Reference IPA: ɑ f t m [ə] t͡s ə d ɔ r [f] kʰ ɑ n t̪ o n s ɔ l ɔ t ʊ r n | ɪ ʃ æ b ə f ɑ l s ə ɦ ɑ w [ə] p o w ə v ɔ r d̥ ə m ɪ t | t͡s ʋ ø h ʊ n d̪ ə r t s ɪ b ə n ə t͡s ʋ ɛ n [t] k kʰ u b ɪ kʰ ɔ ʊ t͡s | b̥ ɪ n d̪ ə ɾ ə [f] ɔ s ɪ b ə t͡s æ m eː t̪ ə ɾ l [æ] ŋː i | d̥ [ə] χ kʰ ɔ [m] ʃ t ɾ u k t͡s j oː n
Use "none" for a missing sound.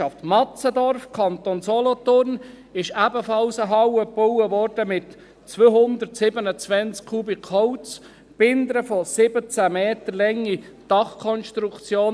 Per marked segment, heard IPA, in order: ɑ, f, ə, t͡s, f, ɛ, ɑ, n

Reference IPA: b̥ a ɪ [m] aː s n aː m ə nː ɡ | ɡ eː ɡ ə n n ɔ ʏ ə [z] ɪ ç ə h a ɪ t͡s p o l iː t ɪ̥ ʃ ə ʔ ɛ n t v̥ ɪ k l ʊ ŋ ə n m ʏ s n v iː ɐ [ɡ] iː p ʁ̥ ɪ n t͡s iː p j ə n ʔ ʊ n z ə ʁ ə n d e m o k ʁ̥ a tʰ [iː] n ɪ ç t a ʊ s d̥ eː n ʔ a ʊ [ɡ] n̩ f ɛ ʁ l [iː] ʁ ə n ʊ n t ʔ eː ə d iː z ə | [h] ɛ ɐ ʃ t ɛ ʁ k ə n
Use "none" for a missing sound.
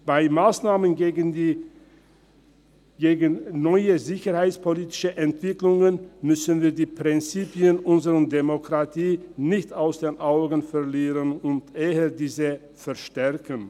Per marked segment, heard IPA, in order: m, z, d, iː, ɡ, iː, f

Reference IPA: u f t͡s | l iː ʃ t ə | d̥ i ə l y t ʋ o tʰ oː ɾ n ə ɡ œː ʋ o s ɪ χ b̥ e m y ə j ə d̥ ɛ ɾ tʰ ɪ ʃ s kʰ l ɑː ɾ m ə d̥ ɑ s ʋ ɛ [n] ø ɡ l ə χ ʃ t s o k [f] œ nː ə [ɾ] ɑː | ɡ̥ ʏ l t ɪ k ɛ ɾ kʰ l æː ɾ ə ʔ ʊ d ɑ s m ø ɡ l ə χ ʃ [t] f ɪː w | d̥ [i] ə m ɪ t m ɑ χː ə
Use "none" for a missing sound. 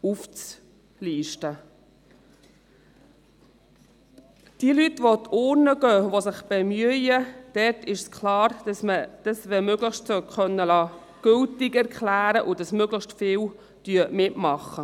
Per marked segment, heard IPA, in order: m, χ, l, t, y

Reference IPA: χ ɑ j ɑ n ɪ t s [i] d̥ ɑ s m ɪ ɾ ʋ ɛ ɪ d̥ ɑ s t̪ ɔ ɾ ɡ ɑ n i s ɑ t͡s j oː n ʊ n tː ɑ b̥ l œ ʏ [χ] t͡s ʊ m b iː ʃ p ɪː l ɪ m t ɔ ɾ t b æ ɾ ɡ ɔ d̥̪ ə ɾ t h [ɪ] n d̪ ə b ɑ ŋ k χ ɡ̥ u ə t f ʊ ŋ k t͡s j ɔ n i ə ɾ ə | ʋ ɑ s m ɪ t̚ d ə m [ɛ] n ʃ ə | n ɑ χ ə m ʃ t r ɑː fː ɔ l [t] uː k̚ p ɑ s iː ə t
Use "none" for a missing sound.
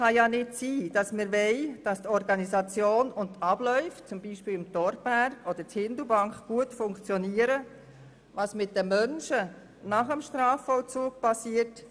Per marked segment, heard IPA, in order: iː, f, ɪ, œ, t͡s

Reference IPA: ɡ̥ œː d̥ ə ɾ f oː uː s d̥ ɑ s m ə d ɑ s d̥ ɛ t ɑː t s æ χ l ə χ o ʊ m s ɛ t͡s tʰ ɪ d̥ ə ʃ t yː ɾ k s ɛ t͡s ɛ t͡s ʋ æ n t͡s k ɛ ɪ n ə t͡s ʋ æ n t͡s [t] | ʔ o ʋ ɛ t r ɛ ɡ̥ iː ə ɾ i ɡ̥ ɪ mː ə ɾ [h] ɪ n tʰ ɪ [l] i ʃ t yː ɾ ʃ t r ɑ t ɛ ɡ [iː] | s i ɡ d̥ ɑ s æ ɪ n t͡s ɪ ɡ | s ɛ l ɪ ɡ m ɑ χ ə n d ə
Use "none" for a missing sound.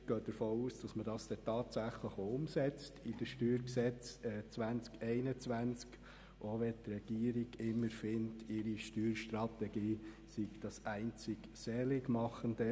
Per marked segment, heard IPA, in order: k, f, ɾ, iː

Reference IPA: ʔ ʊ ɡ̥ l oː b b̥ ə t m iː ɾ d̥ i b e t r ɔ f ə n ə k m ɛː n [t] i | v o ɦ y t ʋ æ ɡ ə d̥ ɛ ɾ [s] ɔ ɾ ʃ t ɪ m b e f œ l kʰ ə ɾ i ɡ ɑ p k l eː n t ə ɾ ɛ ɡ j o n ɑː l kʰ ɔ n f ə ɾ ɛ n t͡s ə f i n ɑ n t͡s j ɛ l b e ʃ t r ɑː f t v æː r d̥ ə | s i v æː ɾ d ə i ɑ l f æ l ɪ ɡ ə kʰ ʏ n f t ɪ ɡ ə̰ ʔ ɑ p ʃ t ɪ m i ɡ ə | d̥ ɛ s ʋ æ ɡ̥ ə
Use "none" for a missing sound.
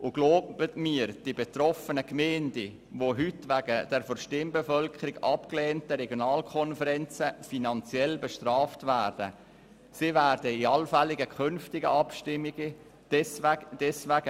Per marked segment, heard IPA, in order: d, f

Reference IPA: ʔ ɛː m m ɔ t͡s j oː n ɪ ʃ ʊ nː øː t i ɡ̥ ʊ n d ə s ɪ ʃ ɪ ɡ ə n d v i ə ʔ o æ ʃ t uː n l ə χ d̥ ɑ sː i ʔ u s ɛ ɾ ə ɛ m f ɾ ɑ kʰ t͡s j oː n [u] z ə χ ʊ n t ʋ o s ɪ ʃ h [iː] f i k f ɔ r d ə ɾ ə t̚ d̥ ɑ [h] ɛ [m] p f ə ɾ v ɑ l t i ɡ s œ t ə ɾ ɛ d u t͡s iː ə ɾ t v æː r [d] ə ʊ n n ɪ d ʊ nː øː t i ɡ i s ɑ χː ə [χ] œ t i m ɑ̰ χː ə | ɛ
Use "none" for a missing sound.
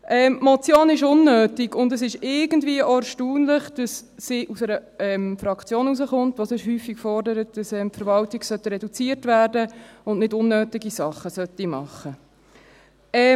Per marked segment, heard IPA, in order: u, yː, s, m, d, s

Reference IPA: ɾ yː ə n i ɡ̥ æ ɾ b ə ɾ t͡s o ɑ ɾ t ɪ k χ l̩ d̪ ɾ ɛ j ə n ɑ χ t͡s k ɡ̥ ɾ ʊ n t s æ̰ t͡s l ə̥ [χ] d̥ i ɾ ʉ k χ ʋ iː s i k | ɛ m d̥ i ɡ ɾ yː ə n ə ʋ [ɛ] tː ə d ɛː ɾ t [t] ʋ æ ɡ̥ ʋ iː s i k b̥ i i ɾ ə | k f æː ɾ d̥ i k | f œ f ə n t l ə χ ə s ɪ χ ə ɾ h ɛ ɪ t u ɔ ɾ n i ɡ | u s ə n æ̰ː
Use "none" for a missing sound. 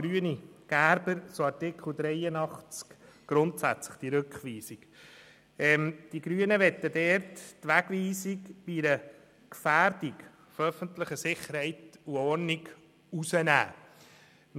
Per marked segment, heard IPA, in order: χ, ɛ, t

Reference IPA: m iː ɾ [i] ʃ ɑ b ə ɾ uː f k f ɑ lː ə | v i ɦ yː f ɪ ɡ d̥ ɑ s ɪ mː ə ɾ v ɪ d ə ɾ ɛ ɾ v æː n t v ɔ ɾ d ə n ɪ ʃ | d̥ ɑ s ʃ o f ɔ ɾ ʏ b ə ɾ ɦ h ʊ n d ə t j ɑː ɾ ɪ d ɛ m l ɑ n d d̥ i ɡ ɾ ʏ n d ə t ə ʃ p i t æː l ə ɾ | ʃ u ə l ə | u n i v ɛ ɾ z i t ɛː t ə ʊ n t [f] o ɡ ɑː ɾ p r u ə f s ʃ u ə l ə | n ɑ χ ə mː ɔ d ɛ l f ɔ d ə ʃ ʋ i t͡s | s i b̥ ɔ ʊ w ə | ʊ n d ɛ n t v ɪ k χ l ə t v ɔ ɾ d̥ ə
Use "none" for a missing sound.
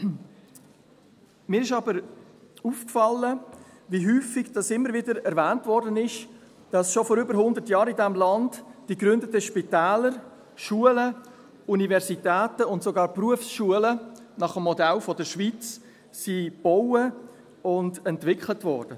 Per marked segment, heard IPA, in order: ɪ, s

